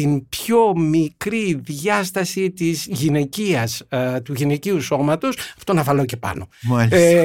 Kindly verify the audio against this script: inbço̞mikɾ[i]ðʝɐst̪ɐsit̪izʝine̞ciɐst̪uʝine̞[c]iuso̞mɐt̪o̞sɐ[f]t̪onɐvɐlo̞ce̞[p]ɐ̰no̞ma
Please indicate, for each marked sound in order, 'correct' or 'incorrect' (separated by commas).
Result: correct, correct, correct, correct